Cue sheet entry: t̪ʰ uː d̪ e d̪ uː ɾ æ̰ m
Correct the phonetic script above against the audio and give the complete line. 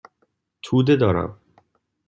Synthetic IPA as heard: t̪ʰ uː d̪ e d̪ ɒː ɾ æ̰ m